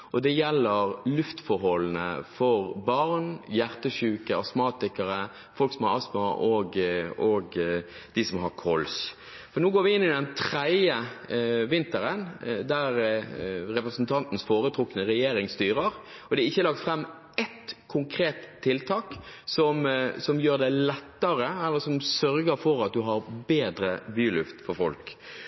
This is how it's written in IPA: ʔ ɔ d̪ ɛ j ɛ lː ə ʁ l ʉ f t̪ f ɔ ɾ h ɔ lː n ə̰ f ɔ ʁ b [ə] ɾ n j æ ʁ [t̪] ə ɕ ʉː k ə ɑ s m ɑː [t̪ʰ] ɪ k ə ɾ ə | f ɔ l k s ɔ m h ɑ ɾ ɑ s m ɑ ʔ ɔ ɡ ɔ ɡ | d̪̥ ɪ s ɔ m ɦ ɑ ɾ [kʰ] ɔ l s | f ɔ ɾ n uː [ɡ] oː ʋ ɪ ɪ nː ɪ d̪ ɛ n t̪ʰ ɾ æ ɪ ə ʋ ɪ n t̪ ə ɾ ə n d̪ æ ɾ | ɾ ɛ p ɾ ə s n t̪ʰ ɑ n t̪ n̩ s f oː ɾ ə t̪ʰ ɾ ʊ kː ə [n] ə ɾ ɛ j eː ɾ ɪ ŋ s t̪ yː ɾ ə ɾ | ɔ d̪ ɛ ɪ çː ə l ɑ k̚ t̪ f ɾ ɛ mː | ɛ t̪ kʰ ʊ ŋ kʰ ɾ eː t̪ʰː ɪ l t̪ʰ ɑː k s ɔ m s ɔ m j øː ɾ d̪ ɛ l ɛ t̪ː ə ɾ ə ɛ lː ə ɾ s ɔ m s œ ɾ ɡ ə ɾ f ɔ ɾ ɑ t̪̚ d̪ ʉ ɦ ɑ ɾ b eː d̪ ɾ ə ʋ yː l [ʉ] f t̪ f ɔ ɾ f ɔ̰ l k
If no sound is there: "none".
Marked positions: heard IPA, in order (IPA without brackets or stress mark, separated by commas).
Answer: ɑ, t̪, t̪, kʰ, ɡ, n, ʉ